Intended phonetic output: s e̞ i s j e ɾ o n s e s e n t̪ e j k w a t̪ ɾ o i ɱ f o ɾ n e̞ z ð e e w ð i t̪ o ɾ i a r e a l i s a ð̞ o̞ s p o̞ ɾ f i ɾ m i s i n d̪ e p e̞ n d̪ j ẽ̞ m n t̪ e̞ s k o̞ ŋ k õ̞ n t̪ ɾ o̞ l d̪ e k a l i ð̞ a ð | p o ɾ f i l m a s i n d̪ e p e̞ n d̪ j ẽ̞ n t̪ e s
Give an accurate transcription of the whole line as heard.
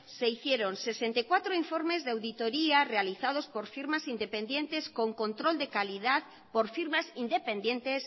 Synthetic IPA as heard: s e̞ i θ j e ɾ o n s e s e n t̪ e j k w a t̪ ɾ o i ɱ f o ɾ m e̞ z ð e a w ð i t̪ o ɾ i a r e a l i θ a ð̞ o̞ s p o̞ ɾ f i ɾ m a s i n d̪ e p e̞ n d̪ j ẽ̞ n t̪ e̞ s k o̞ ŋ k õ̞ n t̪ ɾ o̞ l d̪ e k a l i ð̞ a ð | p o ɾ f i ɾ m a s i n d̪ e p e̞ n d̪ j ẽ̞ n t̪ e s